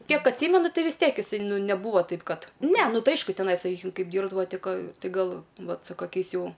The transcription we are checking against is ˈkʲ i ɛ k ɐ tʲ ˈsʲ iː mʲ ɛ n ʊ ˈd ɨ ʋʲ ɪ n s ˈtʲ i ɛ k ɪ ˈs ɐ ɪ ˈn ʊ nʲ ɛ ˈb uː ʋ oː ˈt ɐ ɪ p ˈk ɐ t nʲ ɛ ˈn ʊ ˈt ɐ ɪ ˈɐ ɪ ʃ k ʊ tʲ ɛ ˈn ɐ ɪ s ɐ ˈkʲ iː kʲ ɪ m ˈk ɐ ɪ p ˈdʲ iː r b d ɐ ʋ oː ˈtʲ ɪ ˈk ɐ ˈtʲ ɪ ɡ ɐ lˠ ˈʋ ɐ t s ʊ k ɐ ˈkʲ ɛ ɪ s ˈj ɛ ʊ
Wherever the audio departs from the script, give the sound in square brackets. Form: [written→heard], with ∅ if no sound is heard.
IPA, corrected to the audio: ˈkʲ i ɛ k ɐ tʲ ˈsʲ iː mʲ ɛ n ʊ [ˈd→ˈt] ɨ ʋʲ ɪ [n→∅] s ˈtʲ i ɛ k ɪ ˈs ɐ ɪ ˈn ʊ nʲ ɛ ˈb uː ʋ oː ˈt ɐ ɪ p ˈk ɐ t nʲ ɛ ˈn ʊ ˈt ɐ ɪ ˈɐ ɪ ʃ k ʊ tʲ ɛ ˈn ɐ ɪ s ɐ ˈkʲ iː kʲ ɪ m ˈk ɐ ɪ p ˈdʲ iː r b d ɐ ʋ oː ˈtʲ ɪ ˈk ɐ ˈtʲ ɪ ɡ ɐ lˠ ˈʋ ɐ t s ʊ k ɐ ˈkʲ ɛ ɪ s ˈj ɛ ʊ